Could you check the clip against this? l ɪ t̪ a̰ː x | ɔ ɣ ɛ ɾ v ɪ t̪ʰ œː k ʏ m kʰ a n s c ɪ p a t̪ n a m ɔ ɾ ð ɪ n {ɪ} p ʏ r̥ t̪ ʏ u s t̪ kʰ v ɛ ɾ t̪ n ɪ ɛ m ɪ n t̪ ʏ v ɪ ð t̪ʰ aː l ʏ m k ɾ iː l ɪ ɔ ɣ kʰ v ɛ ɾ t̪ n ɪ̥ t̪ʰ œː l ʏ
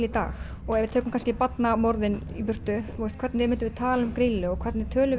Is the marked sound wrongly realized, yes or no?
yes